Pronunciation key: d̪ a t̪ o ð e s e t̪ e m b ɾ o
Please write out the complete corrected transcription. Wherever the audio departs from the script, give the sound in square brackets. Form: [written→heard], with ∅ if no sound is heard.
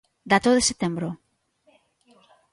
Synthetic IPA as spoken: d̪ a t̪ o ð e s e t̪ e m b ɾ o